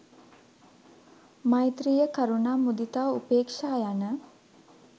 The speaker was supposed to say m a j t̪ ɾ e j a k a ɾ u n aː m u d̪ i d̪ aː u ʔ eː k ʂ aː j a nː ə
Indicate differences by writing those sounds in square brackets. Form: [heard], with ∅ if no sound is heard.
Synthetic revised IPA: m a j t̪ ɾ [i] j [ə] k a ɾ u n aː m u d̪ i [t̪] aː u [p] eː k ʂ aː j a [n] ə